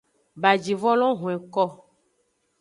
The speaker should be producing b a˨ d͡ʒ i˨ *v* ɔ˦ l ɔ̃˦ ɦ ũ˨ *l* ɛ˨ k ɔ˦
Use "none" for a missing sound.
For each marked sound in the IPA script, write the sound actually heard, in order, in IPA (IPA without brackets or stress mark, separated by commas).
v, none